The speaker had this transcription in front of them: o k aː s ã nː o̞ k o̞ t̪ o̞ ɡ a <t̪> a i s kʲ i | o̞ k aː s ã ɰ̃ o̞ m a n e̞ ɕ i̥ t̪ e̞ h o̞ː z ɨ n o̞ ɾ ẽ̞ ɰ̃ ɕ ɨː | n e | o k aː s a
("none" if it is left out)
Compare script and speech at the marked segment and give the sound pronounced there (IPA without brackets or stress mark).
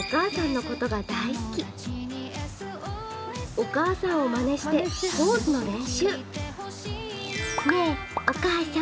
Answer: d̪